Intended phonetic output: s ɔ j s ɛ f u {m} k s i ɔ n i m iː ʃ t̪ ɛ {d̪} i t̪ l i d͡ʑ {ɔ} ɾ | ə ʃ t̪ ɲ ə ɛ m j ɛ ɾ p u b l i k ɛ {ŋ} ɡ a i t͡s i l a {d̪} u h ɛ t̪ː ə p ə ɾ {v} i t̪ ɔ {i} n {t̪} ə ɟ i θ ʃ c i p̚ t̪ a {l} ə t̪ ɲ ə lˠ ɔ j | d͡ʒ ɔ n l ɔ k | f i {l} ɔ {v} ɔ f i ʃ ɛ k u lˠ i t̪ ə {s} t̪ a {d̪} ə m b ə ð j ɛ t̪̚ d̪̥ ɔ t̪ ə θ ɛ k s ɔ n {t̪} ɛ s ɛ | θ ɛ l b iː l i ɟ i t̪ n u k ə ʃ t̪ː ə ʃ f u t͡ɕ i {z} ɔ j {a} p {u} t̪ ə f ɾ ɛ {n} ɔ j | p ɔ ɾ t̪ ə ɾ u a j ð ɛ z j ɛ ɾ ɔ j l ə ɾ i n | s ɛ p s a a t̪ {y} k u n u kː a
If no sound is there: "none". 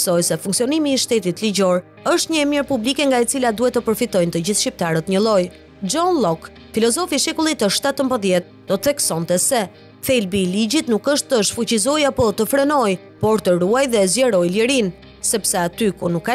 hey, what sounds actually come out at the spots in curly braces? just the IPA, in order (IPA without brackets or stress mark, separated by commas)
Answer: ŋ, t̪, ɔ, ŋ, d̪, f, j, t̪, ɾ, l, z, ʃ, t̪, t̪, z, a, ɔ, n, y